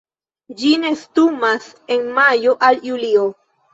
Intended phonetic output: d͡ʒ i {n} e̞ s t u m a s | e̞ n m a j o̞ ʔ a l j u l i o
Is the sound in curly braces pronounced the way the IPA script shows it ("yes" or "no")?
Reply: yes